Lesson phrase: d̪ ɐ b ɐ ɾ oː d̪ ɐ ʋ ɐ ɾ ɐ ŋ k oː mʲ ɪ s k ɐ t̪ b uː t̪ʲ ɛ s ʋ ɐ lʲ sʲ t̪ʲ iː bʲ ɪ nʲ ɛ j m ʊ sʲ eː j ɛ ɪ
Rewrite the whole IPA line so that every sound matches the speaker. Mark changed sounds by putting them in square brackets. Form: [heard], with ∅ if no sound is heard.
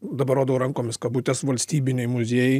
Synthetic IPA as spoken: d̪ ɐ b ɐ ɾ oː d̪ ɐ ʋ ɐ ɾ ɐ ŋ k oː mʲ ɪ s k ɐ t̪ b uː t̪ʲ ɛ s ʋ ɐ lʲ sʲ t̪ʲ iː bʲ ɪ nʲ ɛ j m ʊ [zʲ] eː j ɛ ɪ